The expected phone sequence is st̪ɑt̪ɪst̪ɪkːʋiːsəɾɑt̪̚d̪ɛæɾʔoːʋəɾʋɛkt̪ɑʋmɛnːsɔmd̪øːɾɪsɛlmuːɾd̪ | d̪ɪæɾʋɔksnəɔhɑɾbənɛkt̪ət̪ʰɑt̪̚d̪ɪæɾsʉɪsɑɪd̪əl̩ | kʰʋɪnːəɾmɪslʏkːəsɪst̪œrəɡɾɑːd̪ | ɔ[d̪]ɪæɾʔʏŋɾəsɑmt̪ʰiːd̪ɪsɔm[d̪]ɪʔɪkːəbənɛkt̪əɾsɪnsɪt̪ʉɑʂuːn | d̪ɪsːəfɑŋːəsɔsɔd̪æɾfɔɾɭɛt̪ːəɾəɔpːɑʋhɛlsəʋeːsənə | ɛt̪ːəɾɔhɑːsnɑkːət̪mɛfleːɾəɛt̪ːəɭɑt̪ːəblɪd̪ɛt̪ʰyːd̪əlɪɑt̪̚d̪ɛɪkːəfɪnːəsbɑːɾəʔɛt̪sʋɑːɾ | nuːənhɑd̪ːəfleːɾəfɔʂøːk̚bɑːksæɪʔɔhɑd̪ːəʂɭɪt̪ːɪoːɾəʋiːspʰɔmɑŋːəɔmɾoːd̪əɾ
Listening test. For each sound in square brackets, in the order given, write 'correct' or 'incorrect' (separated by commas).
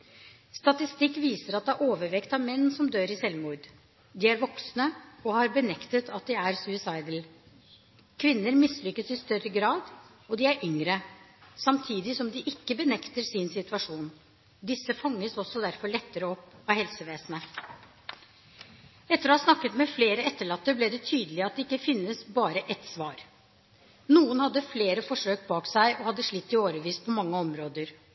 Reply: correct, correct